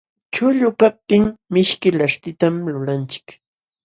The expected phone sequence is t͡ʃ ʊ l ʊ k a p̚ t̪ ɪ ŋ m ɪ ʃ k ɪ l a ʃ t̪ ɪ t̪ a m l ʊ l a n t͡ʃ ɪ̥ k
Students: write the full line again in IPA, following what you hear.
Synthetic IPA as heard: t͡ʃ ʊ ʎ ʊ k a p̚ t̪ ɪ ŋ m ɪ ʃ k ɪ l a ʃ t̪ ɪ t̪ a m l ʊ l a n t͡ʃ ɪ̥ k